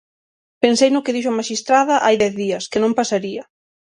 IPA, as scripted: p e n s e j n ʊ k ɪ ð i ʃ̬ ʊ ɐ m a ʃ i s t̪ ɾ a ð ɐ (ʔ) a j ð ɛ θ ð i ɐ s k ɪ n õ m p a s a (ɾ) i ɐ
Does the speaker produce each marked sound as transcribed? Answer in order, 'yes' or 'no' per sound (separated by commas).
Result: yes, yes